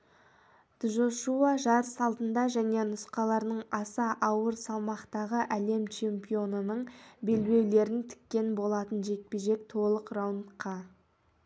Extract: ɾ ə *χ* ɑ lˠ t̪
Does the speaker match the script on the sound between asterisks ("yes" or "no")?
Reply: no